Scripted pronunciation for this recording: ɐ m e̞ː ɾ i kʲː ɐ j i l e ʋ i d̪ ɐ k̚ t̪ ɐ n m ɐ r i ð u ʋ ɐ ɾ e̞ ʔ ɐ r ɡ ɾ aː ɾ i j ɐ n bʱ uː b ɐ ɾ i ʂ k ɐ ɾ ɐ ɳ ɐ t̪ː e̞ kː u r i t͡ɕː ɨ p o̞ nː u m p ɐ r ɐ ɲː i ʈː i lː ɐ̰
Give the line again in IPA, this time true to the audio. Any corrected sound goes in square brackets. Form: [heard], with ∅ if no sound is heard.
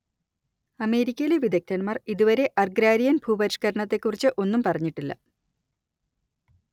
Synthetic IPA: ɐ m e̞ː ɾ i kʲː ɐ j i l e ʋ i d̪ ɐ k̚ t̪ ɐ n m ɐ r i ð u ʋ ɐ ɾ e̞ ʔ ɐ r ɡ ɾ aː ɾ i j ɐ n bʱ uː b ɐ ɾ i ʂ k ɐ ɾ ɐ ɳ ɐ t̪ː e̞ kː u r i t͡ɕː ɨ [ʔ] o̞ nː u m p ɐ r ɐ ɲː i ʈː i lː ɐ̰